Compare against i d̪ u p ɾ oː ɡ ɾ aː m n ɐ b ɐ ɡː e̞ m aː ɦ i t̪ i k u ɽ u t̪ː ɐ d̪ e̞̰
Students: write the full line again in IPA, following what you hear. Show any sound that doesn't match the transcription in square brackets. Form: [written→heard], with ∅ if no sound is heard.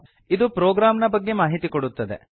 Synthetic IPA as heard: i d̪ u p ɾ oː ɡ ɾ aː m n ɐ b ɐ ɡː e̞ m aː ɦ i t̪ i k [u→o] ɽ u t̪ː ɐ d̪ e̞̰